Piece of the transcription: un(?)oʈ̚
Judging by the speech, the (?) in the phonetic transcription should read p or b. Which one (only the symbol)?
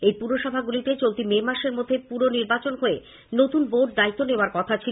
b